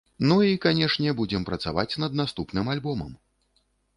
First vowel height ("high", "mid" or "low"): high